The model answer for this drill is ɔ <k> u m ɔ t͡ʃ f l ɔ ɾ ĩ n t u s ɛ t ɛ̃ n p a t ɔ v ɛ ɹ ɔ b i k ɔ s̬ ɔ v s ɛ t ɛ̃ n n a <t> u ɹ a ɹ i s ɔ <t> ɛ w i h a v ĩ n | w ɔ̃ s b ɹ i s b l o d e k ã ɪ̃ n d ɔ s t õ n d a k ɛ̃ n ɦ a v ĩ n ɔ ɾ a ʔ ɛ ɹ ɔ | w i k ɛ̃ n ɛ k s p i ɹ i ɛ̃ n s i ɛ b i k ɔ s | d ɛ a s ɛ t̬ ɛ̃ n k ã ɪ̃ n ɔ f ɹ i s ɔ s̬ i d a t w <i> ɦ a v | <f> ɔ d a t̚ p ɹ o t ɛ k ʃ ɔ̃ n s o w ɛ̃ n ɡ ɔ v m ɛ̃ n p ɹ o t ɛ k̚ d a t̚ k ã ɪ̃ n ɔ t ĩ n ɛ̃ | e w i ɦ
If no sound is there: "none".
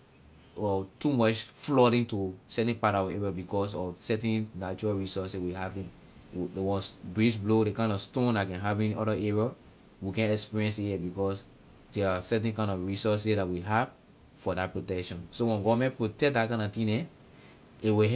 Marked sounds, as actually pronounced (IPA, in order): t, t͡ʃ, s, i, f

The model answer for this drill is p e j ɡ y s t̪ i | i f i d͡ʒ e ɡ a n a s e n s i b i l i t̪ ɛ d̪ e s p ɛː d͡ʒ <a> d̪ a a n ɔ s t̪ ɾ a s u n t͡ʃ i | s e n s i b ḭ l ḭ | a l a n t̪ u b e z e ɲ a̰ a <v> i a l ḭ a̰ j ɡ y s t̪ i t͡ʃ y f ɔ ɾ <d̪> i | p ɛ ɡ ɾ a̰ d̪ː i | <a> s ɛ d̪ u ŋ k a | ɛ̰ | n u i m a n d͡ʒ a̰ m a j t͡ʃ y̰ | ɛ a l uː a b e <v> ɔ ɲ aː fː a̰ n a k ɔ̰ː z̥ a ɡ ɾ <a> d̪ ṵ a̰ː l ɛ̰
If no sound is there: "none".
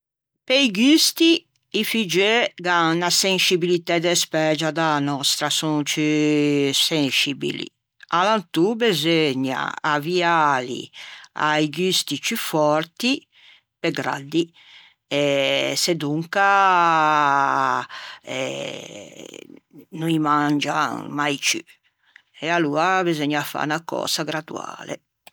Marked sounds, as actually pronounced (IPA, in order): a, v, t̪, ɛ, z, a

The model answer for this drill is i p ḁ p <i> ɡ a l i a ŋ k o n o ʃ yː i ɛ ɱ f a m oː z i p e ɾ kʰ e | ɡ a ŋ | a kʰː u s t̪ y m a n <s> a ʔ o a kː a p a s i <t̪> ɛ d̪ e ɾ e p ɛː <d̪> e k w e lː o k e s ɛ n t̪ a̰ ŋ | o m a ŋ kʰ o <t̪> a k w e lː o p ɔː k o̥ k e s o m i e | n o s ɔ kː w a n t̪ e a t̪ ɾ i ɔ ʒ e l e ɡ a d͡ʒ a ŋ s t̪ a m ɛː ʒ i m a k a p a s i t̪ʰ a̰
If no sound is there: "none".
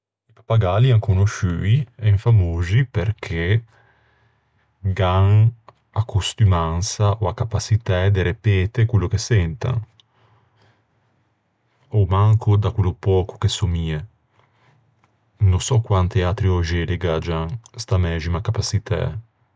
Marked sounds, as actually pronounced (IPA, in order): a, s, t̪, t̪, d̪

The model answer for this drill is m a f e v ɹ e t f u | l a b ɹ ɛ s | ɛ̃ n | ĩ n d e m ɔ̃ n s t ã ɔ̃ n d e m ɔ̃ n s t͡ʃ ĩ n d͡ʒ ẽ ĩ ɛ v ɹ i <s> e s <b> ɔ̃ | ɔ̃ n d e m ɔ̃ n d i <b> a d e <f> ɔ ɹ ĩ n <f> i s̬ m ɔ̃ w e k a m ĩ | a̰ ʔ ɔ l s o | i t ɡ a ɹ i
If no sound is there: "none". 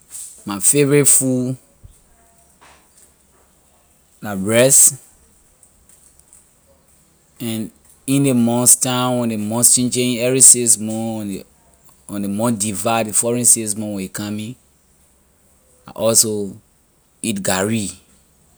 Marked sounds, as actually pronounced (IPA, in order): s, m, v, f, s

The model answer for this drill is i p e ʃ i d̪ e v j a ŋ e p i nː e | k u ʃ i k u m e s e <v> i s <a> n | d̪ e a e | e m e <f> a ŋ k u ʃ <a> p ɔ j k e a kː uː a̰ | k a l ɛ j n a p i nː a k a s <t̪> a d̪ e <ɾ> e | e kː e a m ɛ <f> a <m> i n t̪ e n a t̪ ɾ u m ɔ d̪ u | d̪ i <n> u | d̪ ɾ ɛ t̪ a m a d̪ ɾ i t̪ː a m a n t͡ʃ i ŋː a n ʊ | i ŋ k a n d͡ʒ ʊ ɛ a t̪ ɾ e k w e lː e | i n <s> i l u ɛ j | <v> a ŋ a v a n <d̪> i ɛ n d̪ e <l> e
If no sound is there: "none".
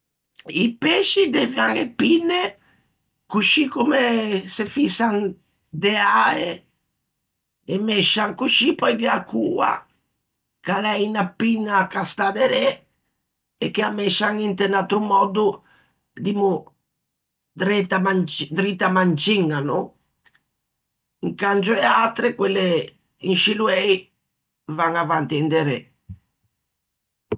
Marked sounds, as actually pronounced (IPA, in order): f, a, ʃ, i, t̪, ɾ, ʃ, ŋ, m, ʃ, v, t̪, ɾ

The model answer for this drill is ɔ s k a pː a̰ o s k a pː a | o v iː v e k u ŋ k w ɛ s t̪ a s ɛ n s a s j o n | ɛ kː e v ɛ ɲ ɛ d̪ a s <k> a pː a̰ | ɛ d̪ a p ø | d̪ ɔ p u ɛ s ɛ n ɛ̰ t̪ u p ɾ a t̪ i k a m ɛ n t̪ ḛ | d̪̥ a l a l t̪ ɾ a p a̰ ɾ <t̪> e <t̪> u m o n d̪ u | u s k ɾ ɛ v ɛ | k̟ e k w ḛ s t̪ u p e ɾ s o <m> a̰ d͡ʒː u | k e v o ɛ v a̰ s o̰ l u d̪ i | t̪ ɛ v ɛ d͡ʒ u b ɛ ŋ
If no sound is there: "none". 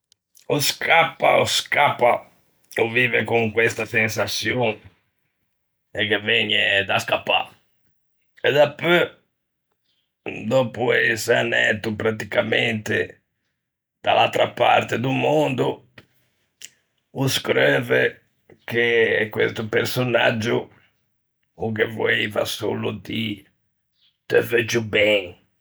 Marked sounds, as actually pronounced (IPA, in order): k, t̪, d̪, n

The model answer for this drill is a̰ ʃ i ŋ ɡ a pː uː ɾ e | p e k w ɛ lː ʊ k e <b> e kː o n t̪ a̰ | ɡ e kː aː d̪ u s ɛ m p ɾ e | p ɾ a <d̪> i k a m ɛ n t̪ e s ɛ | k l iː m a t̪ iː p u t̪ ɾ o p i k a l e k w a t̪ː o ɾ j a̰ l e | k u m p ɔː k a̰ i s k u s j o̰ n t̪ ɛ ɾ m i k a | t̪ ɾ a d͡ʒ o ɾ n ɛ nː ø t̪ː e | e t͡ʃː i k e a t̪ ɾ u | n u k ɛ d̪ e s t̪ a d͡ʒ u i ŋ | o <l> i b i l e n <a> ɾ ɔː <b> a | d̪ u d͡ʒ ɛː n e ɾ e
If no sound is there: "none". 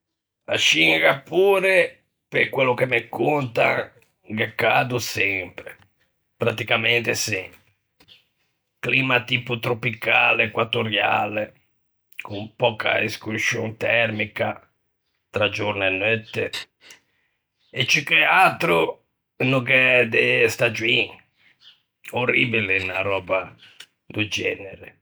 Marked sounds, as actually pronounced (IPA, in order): m, t̪, r, a, b

